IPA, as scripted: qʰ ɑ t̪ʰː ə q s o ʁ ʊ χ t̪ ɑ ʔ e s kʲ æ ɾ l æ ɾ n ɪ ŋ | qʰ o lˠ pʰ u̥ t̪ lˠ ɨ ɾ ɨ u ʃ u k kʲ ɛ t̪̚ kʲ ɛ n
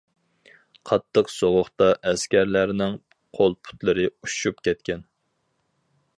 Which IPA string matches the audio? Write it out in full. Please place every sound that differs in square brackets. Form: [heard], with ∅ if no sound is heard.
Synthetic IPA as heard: qʰ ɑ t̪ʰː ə q s o ʁ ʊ χ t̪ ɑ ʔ [ɛ] s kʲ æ ɾ l æ ɾ n ɪ ŋ | qʰ o lˠ pʰ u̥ t̪ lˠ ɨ ɾ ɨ u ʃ u [p] kʲ ɛ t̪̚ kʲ ɛ n